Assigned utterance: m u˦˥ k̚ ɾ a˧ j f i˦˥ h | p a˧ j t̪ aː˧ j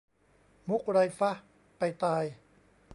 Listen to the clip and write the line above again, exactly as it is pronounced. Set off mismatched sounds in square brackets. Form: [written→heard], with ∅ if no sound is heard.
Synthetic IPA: m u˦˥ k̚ ɾ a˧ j f [i˦˥→a˦˥] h | p a˧ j t̪ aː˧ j